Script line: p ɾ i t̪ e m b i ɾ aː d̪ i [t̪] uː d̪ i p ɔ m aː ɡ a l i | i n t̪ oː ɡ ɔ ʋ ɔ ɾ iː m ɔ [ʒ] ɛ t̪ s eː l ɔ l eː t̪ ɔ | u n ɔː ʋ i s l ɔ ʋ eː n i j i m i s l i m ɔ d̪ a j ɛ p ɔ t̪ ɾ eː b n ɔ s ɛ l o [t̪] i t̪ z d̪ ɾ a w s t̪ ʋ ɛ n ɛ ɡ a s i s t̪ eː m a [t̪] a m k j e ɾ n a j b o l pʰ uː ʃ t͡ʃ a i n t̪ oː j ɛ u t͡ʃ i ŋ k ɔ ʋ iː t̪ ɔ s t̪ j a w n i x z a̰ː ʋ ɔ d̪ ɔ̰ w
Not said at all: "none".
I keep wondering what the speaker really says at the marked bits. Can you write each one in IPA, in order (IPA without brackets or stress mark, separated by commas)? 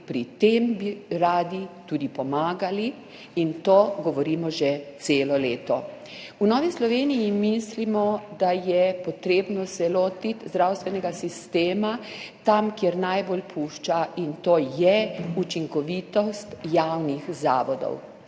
t̪, ʒ, t̪, t̪